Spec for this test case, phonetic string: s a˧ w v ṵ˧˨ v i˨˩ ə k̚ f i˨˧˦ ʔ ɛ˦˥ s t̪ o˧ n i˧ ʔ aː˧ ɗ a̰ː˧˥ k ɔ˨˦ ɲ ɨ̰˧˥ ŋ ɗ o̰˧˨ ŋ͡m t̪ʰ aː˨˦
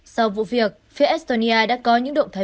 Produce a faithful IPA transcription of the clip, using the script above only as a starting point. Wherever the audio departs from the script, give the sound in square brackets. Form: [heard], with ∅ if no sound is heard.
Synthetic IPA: s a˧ w v ṵ˧˨ v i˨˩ ə k̚ f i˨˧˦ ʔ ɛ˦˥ s t̪ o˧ n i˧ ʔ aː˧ ɗ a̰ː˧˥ k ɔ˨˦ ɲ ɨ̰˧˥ ŋ ɗ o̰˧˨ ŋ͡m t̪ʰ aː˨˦